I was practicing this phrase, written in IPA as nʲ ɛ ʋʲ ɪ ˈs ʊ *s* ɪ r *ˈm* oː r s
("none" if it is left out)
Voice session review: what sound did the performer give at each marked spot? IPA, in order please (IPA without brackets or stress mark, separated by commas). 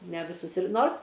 s, n